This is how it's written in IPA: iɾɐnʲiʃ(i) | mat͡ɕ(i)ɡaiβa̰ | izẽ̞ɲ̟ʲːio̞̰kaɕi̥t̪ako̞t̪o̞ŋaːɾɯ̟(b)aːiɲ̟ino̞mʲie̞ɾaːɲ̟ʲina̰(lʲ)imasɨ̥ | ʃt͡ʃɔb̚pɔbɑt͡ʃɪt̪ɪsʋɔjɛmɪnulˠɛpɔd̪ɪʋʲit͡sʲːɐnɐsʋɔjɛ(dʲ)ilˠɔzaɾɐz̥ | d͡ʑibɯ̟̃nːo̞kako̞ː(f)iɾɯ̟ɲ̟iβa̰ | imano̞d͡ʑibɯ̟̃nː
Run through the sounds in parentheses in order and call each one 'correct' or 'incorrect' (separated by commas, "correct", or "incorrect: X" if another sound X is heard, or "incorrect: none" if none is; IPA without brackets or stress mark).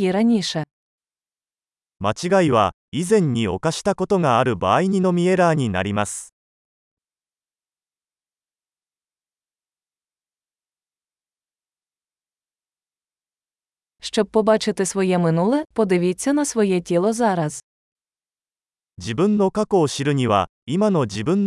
incorrect: ɛ, correct, correct, incorrect: ɾʲ, incorrect: tʲ, incorrect: ɕ